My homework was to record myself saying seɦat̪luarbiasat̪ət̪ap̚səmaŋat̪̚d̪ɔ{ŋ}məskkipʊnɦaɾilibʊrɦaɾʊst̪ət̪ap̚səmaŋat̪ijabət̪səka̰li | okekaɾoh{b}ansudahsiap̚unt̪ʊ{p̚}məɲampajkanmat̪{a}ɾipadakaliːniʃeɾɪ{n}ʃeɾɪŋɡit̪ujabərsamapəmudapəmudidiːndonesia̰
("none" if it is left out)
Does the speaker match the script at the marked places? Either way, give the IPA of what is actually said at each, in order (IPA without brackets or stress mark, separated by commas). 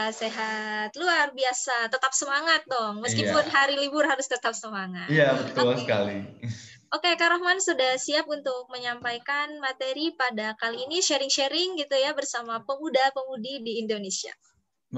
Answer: ŋ, m, k̚, e, ŋ